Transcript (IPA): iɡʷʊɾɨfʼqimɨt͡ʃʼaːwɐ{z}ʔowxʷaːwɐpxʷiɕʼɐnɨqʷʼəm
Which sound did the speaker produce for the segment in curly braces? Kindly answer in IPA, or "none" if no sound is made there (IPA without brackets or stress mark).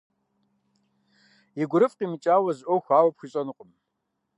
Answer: z